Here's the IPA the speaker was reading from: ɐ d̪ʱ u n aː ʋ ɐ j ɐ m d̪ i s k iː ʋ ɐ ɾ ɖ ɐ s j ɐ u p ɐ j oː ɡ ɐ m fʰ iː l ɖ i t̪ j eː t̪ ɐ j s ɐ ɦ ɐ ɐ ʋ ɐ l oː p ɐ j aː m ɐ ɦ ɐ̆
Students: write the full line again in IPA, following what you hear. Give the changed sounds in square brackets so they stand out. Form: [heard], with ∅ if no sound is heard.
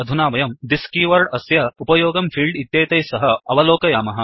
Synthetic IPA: ɐ d̪ʱ u n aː ʋ ɐ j ɐ m d̪ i s k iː ʋ ɐ ɾ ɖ ɐ s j ɐ u p ɐ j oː ɡ ɐ m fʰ iː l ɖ i t̪ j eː t̪ ɐ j s ɐ ɦ ɐ ɐ ʋ ɐ l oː [k] ɐ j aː m ɐ ɦ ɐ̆